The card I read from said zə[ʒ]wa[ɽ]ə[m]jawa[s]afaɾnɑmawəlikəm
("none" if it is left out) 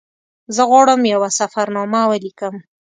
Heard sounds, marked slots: ɣ, ɽ, m, s

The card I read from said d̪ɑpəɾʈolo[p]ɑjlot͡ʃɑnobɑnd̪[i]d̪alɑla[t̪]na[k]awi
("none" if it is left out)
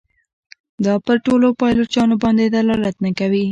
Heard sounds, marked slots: p, e, t̪, k

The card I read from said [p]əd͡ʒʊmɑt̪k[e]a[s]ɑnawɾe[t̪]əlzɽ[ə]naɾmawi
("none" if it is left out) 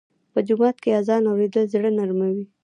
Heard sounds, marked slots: p, e, z, d̪, ə

